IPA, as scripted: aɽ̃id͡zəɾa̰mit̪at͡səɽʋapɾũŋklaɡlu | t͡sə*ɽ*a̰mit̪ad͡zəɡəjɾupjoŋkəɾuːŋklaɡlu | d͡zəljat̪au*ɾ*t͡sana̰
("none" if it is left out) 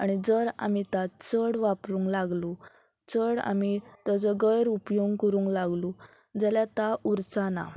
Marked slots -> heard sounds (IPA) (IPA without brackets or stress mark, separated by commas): ɽ, ɾ